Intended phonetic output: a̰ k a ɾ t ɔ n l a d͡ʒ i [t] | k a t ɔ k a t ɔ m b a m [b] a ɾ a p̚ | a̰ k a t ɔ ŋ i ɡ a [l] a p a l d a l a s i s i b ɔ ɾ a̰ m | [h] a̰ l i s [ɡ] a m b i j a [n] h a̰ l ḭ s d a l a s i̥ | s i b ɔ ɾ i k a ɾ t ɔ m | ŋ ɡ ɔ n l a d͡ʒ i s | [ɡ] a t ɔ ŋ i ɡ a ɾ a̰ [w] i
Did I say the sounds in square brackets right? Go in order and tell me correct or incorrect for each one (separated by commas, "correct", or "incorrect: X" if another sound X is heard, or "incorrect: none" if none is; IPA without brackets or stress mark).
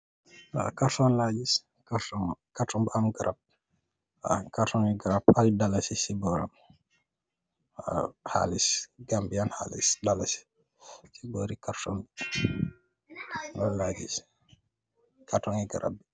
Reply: incorrect: s, incorrect: ɡ, incorrect: ɾ, correct, correct, correct, incorrect: k, incorrect: b